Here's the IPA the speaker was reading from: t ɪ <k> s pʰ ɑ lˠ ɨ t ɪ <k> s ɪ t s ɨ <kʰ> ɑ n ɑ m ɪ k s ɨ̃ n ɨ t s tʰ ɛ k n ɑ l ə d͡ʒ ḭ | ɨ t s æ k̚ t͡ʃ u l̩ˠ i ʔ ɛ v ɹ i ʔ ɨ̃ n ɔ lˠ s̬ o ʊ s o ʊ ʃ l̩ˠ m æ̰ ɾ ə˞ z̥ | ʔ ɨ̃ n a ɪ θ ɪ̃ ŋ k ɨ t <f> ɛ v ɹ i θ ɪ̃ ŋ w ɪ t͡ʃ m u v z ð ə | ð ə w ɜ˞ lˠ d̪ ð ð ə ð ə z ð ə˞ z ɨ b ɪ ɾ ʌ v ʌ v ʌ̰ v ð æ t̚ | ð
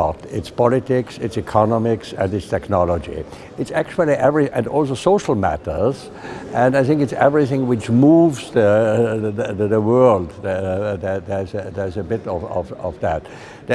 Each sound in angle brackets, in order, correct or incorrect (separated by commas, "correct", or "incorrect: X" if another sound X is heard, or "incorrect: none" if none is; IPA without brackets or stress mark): incorrect: t, correct, correct, incorrect: s